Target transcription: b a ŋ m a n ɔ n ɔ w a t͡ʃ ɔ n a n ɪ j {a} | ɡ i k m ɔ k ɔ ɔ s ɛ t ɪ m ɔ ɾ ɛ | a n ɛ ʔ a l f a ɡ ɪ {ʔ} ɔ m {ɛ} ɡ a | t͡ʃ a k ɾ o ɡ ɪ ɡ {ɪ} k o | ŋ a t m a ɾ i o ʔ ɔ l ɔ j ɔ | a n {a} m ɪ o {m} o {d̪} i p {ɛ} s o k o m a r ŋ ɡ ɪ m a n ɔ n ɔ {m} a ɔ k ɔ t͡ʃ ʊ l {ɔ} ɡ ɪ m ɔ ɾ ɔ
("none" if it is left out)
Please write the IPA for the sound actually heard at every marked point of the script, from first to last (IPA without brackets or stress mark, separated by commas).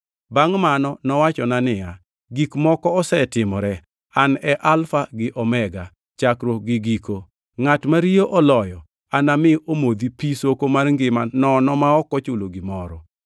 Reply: a, ʔ, ɛ, i, a, m, d̪, i, m, o